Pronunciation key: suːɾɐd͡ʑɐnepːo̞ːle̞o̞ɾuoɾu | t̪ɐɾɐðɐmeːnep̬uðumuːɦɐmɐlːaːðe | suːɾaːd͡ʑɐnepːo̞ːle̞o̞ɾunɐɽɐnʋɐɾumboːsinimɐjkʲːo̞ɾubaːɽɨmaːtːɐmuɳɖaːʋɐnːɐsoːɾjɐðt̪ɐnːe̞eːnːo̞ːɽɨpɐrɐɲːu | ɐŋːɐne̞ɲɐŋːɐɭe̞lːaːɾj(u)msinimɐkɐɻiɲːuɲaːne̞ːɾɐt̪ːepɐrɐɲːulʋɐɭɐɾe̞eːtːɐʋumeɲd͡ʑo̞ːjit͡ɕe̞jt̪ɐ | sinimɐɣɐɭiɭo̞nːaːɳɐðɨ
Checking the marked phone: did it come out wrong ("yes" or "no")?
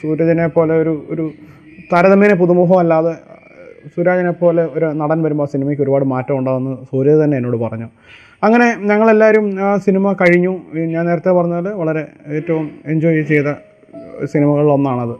no